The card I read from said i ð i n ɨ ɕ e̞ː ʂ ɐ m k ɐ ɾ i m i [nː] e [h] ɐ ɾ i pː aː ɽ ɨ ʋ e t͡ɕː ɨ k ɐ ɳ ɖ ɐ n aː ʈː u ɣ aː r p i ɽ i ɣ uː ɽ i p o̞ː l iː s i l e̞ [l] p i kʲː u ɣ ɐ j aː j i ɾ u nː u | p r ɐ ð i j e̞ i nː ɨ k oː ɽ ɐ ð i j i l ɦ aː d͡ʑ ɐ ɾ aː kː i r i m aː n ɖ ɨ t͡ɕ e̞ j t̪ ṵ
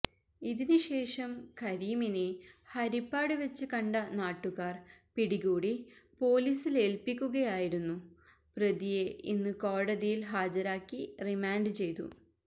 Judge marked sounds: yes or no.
no, yes, yes

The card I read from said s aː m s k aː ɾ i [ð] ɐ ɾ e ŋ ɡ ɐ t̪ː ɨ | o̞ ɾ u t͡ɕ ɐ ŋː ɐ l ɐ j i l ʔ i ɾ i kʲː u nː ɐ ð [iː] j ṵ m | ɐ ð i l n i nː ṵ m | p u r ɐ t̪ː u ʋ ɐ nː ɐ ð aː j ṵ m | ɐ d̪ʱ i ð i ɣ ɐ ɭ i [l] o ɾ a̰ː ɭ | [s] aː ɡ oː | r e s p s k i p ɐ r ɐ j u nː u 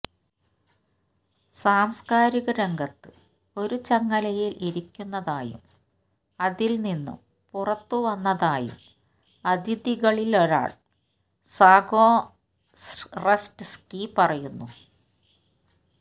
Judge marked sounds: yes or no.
no, no, yes, yes

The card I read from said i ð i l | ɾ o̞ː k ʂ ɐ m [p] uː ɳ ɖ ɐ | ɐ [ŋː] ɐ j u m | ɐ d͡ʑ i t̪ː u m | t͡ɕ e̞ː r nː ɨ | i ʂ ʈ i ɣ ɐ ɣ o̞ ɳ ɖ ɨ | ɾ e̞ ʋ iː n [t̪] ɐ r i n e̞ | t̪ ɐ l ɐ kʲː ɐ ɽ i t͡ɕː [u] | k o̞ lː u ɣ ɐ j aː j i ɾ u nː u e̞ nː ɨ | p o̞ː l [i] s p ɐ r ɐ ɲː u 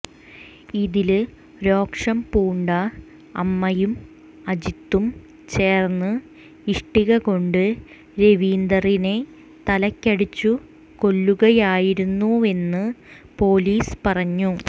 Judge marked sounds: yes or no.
yes, no, no, yes, no

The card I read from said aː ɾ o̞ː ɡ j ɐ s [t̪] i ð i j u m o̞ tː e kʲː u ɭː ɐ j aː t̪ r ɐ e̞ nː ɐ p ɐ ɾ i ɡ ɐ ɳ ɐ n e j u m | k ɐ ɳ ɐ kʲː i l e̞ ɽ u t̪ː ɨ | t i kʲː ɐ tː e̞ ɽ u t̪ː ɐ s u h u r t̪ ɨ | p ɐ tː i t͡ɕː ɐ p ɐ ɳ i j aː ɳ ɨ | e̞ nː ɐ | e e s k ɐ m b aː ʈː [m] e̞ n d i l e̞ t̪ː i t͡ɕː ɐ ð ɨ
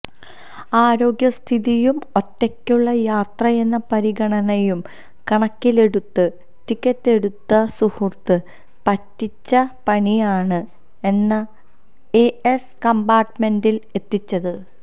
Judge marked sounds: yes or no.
no, yes

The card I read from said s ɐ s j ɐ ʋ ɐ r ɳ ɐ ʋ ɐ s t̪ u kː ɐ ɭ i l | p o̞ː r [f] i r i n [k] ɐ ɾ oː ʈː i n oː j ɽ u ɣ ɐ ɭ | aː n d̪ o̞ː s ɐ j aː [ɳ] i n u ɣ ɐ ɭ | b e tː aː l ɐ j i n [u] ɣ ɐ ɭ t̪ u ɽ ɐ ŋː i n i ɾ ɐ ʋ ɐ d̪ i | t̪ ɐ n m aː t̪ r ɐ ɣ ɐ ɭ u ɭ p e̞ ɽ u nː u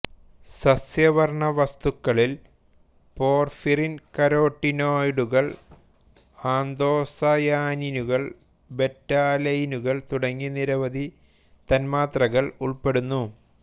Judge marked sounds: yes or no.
yes, yes, no, yes

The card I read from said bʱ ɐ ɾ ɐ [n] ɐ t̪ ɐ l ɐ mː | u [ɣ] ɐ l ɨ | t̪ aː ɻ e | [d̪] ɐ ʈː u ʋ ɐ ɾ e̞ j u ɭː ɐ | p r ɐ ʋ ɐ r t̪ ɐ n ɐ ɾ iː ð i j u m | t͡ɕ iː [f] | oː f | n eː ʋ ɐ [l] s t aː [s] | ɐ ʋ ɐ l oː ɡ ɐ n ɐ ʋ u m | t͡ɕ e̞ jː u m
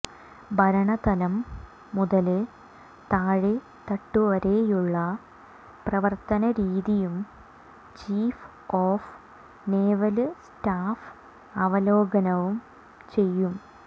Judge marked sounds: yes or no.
no, no, no, yes, yes, no

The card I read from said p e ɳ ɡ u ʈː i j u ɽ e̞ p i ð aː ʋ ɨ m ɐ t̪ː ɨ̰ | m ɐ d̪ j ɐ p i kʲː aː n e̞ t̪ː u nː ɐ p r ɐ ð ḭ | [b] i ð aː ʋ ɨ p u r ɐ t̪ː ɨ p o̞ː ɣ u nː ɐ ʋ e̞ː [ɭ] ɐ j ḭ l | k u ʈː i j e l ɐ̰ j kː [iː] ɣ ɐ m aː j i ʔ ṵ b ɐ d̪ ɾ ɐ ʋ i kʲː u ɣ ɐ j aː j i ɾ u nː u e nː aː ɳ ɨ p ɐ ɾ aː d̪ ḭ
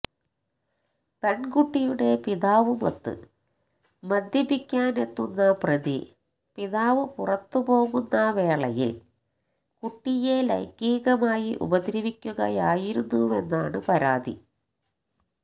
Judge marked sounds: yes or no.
no, yes, yes

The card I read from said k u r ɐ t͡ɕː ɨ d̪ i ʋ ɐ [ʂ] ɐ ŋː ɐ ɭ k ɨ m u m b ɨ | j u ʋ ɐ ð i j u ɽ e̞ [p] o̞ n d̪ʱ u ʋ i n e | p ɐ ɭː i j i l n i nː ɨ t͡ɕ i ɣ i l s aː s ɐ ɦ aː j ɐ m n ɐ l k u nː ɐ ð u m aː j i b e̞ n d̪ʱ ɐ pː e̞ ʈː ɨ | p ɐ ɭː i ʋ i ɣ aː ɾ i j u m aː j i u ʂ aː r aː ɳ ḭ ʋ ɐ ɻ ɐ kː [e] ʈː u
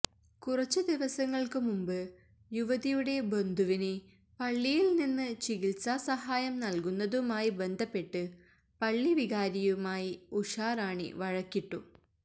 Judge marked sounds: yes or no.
no, no, no

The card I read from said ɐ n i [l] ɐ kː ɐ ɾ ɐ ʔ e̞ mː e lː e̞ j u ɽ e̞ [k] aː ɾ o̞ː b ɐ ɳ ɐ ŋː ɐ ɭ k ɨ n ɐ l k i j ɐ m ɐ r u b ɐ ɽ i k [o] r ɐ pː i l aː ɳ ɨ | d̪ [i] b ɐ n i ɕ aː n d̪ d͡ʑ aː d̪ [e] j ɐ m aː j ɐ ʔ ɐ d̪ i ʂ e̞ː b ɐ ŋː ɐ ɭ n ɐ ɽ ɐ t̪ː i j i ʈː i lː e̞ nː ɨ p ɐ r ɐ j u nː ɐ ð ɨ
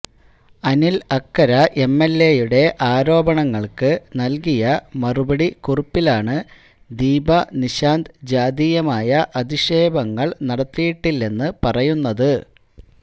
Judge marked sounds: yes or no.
yes, no, no, no, no

